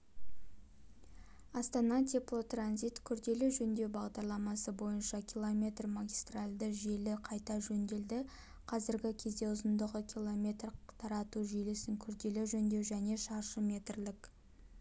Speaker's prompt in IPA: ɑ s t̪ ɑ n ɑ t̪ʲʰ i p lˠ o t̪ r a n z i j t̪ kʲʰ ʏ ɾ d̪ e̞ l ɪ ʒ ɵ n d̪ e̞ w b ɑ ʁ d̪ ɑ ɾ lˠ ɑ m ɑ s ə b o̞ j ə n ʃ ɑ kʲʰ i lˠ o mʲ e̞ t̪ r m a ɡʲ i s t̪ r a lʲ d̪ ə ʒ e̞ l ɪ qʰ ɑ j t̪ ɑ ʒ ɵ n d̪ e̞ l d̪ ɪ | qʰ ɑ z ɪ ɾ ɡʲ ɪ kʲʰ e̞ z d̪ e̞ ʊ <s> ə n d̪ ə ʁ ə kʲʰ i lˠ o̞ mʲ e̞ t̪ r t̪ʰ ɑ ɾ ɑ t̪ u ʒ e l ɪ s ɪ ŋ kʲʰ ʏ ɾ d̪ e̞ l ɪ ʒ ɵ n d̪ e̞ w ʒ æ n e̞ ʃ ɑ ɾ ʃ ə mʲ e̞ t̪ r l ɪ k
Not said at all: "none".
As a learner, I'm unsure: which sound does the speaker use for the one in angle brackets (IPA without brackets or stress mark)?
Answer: z